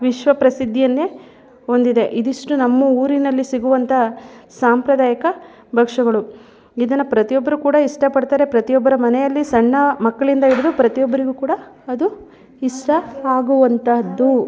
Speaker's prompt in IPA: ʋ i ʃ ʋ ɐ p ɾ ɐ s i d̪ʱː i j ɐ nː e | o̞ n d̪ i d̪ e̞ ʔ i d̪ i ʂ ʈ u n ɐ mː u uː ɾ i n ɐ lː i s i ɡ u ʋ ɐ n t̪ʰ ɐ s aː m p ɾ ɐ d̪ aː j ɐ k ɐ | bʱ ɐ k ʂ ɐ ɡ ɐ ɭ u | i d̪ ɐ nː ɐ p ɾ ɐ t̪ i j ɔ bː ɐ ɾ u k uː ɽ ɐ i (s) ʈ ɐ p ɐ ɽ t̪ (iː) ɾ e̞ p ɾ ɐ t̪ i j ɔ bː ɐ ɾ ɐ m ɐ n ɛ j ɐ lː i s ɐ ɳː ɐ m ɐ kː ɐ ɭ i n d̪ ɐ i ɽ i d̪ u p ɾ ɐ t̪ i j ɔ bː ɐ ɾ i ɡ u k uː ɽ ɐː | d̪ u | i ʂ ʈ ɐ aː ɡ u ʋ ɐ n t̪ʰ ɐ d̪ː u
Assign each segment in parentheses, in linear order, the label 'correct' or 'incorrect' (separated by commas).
incorrect, incorrect